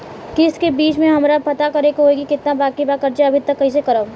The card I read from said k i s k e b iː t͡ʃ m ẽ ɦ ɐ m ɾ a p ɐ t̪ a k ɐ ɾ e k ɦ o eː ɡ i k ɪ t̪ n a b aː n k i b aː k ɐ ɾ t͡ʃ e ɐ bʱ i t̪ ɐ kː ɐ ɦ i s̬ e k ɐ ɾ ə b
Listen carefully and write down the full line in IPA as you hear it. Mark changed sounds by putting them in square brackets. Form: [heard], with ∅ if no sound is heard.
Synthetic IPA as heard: k [ɪ] s k e b iː t͡ʃ m ẽ ɦ ɐ m ɾ a p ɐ t̪ a k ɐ ɾ e k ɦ o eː ɡ i k ɪ t̪ n a b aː [∅] k i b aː k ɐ ɾ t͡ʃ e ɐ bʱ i t̪ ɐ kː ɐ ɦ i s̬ e k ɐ ɾ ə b